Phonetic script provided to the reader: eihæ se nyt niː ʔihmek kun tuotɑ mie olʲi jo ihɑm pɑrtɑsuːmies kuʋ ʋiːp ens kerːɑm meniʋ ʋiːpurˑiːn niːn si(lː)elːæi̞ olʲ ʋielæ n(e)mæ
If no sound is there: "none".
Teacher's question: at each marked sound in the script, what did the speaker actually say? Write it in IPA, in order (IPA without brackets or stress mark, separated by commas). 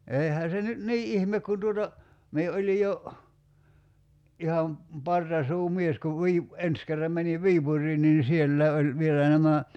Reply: none, æ